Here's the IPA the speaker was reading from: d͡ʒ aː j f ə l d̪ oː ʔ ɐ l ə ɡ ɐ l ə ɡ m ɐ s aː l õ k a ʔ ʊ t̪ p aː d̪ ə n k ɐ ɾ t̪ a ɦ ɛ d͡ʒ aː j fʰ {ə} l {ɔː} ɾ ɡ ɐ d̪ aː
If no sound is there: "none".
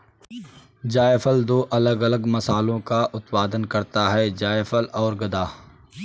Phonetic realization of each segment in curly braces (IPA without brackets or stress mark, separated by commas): ə, ɔː